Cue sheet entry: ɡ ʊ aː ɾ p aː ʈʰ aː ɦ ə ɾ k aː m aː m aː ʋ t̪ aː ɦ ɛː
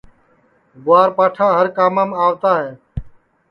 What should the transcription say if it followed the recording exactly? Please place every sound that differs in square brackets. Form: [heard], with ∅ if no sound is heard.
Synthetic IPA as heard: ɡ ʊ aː ɾ p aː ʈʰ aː ɦ ə ɾ k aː m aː m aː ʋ t̪ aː ɦ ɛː